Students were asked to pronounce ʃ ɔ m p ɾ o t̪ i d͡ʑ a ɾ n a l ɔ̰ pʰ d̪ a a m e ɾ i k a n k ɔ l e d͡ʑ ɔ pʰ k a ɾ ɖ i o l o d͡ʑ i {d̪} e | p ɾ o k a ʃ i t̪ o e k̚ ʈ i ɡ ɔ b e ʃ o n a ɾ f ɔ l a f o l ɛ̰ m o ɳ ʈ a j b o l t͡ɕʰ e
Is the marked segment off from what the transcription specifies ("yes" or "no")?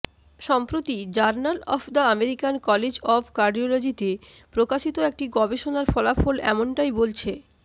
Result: yes